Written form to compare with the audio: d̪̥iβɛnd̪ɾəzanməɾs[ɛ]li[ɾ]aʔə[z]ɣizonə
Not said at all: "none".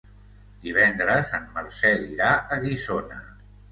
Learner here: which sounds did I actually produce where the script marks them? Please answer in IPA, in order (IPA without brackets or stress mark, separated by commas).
ɛ, ɾ, none